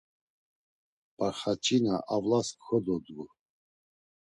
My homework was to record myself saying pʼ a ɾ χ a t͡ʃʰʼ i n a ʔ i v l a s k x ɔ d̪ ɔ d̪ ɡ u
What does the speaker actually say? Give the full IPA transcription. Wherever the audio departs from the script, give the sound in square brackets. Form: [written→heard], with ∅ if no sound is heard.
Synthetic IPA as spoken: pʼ a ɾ χ a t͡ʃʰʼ i n a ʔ [i→a] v l a s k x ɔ d̪ ɔ d̪ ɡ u